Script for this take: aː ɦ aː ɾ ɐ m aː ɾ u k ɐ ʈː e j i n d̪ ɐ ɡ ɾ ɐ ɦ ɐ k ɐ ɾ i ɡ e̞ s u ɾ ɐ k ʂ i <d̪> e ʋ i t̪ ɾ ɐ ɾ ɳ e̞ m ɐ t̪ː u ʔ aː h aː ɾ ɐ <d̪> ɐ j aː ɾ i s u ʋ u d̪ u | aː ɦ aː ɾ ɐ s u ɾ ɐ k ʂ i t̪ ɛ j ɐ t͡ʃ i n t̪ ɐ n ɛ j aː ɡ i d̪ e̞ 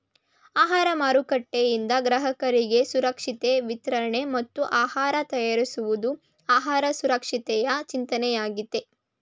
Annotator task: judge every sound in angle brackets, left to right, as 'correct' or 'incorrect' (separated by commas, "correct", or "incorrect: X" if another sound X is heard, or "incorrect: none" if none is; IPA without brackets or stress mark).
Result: incorrect: t̪, incorrect: t̪